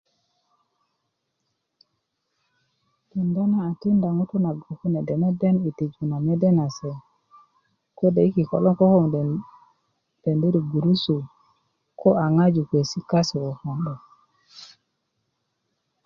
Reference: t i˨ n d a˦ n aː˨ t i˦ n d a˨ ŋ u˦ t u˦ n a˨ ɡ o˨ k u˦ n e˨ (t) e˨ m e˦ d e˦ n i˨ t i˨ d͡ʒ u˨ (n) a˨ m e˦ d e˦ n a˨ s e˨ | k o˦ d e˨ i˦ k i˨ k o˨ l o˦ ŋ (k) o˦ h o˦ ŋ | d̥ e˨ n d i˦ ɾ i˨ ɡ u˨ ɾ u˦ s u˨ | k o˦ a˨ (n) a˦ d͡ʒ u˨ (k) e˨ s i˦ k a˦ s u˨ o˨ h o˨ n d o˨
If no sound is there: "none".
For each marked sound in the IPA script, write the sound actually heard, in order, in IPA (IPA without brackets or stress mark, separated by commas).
d, n, k, ŋ, k